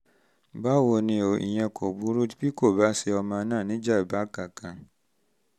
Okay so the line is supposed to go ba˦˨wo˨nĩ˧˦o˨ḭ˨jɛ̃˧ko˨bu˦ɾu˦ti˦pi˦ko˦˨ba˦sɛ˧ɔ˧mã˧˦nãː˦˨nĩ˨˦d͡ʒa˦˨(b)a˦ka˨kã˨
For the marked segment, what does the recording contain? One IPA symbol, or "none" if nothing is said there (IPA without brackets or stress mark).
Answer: b